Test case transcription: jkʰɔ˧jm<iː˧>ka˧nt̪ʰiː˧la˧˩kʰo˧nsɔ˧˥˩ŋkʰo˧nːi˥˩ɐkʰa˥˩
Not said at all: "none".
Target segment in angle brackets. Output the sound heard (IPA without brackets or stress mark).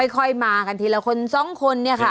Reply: aː˧